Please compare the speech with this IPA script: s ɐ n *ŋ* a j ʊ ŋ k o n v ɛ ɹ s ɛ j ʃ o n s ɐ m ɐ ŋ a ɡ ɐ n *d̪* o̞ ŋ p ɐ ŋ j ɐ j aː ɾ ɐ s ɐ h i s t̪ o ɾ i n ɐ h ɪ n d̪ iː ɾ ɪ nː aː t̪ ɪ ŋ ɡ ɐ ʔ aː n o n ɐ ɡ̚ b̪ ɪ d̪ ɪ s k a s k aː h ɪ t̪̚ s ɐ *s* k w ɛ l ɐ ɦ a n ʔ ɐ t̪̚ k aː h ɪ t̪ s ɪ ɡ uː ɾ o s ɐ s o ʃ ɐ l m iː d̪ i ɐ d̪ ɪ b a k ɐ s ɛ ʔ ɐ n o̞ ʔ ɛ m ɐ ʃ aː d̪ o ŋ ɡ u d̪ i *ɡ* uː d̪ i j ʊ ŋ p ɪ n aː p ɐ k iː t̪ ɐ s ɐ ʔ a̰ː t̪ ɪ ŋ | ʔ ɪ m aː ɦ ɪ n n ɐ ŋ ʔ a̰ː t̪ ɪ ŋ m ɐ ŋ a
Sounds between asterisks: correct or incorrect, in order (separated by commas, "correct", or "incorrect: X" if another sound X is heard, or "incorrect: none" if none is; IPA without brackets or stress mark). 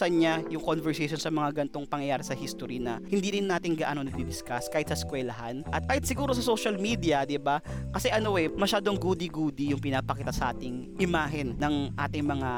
incorrect: ɲ, incorrect: t̪, correct, correct